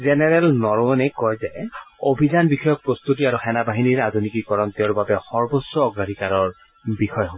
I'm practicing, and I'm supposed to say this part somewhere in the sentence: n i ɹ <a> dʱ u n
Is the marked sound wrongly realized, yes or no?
no